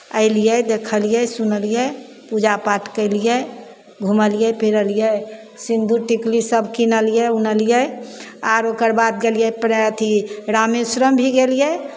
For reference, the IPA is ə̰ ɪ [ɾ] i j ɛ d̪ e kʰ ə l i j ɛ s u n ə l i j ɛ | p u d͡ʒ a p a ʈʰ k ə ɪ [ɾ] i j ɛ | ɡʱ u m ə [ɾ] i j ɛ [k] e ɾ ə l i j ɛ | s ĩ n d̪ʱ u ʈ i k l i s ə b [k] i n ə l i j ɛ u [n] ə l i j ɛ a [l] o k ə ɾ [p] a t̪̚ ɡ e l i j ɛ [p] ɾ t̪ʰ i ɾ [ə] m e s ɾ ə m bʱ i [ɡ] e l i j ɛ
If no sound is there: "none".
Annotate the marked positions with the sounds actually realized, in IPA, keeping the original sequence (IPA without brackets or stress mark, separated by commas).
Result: l, l, l, p, k, n, ɾ, b, p, a, ɡ